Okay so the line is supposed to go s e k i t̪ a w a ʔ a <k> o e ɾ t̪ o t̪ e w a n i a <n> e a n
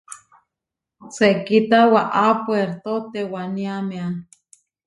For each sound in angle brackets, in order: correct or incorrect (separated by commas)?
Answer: incorrect, incorrect